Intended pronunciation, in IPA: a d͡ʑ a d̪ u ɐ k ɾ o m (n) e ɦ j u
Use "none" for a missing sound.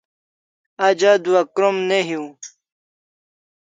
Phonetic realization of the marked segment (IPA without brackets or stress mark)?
n